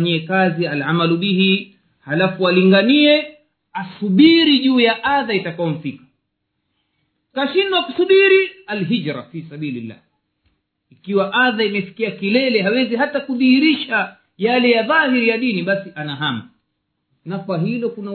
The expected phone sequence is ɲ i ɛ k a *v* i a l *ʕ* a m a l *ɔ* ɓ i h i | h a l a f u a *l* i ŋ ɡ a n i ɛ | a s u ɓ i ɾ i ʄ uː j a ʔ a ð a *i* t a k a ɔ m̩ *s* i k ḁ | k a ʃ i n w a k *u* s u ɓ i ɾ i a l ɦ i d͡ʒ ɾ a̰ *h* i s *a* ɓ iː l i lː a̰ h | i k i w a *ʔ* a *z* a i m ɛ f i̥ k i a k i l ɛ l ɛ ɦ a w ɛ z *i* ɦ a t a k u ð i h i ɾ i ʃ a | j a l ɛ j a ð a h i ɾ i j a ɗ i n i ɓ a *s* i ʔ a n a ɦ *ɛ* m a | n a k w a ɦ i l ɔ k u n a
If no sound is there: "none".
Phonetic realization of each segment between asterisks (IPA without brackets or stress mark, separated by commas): z, ʕ, u, l, i, f, u, f, a, ʔ, ð, i, s, a